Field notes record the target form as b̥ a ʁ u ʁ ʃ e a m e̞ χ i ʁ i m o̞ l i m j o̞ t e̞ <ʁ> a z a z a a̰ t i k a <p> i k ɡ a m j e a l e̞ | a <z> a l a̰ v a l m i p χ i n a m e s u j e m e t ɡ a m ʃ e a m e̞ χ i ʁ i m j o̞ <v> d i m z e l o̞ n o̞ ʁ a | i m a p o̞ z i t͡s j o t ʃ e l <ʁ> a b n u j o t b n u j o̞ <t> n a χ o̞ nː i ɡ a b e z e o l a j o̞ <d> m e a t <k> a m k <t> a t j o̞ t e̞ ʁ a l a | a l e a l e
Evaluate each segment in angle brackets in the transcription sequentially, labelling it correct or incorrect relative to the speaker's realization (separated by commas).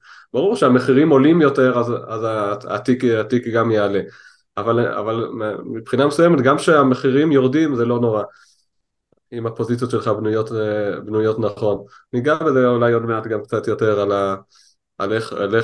correct, incorrect, incorrect, incorrect, incorrect, correct, correct, incorrect, incorrect